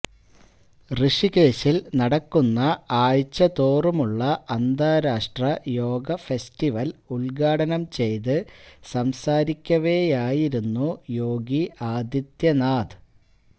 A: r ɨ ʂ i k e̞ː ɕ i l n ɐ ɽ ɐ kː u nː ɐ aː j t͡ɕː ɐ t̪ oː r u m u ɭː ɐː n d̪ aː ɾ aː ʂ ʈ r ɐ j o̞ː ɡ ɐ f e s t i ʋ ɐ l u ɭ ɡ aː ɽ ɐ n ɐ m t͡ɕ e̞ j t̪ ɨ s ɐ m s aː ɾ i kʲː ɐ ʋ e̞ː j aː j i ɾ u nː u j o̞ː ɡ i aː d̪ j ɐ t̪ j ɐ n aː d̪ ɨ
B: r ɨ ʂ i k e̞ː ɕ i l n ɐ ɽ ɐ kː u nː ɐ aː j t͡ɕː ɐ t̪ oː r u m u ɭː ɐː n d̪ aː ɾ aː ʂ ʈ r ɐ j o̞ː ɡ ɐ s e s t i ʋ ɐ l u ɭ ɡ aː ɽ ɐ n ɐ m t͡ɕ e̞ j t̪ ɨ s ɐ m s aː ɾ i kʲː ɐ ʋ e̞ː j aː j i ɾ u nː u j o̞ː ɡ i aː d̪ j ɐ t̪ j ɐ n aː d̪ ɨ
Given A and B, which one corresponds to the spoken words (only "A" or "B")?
A